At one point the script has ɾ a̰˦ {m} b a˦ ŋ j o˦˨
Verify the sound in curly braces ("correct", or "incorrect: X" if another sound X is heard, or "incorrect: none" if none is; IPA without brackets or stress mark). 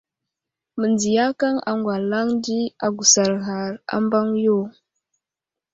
correct